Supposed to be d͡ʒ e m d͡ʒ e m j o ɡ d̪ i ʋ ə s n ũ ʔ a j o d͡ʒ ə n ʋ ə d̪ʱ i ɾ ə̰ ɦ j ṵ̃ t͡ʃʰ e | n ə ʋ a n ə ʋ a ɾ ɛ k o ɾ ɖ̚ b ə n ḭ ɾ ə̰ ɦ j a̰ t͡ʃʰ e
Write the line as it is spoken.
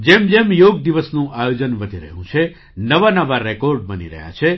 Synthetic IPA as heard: d͡ʒ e m d͡ʒ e m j o ɡ d̪ i ʋ ə s n ũ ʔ a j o d͡ʒ ə n ʋ ə d̪ʱ i ɾ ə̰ ɦ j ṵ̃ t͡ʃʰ e | n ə ʋ a n ə ʋ a ɾ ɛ k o ɾ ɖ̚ b ə n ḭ ɾ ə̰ ɦ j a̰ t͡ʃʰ e